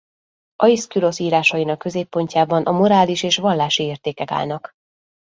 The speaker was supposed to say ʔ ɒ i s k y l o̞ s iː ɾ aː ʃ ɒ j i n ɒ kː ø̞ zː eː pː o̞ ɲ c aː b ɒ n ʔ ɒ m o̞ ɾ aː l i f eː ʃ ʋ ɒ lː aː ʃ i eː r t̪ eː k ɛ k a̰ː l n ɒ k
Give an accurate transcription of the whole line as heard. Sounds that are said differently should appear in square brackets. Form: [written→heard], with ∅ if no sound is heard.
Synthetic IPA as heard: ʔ ɒ i s k y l o̞ s iː ɾ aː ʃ ɒ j i n ɒ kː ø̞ [zː→z] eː pː o̞ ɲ c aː b ɒ n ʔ ɒ m o̞ ɾ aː l i [f→ʃ] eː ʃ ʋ ɒ lː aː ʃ i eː r t̪ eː k ɛ k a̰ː l n ɒ k